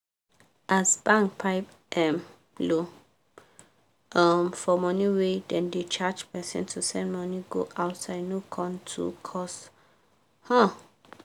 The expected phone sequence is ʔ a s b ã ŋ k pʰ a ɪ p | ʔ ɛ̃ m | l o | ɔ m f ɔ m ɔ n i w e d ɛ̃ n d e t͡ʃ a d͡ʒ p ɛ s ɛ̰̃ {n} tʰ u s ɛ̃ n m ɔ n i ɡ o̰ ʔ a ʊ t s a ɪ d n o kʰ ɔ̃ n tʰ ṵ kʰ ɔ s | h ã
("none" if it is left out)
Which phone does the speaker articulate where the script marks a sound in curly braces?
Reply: n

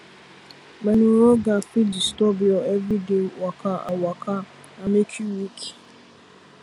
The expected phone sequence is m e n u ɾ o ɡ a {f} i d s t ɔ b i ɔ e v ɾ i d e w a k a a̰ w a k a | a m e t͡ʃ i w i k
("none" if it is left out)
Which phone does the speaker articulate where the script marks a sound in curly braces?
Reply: f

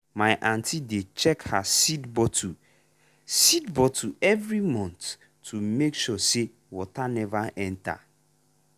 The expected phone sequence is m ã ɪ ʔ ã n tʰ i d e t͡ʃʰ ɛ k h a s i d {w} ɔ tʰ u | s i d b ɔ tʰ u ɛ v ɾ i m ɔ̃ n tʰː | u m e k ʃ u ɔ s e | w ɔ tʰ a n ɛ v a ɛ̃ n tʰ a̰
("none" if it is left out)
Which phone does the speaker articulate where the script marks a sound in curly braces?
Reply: b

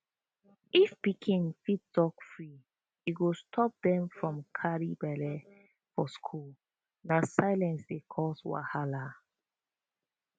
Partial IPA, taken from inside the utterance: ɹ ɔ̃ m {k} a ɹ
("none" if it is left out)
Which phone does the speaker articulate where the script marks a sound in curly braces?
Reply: kʰ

